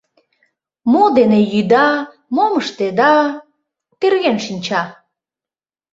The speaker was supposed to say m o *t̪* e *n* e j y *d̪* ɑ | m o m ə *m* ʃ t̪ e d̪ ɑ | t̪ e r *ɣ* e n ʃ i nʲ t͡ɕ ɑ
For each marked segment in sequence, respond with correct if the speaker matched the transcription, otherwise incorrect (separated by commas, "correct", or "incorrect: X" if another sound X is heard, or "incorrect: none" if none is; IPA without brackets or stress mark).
incorrect: d̪, correct, correct, incorrect: none, correct